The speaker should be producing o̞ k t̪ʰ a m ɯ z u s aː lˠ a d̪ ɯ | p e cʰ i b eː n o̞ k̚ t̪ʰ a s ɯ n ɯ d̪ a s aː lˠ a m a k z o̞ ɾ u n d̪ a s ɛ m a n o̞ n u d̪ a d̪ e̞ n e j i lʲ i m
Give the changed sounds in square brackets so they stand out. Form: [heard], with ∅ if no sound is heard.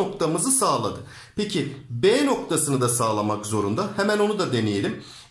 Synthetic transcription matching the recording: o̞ k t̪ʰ a m ɯ z [ɯ] s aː lˠ a d̪ ɯ | p e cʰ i b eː n o̞ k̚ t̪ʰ a s ɯ n ɯ d̪ a s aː lˠ a m a k z o̞ ɾ u n d̪ a [h] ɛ m [æ] n o̞ n u d̪ a d̪ e̞ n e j [e] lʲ i m